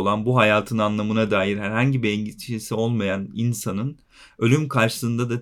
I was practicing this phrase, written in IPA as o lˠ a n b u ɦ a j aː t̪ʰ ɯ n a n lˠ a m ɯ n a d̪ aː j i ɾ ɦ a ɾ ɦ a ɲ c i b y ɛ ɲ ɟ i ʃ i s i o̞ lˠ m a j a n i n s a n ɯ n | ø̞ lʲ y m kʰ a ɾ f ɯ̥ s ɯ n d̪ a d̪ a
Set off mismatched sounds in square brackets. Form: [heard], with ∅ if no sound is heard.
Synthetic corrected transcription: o lˠ a n b u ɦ a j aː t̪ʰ ɯ n a n lˠ a m ɯ n a d̪ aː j i ɾ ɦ [æ] ɾ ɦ a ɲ [ɟ] i b [i] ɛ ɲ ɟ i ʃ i s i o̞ lˠ m a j a n i n s a n ɯ n | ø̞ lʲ y m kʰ a ɾ [ʃ] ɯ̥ s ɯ n d̪ a d̪ a